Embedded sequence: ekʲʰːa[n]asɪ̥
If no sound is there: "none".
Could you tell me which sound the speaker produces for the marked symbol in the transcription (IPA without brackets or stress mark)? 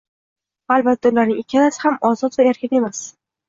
n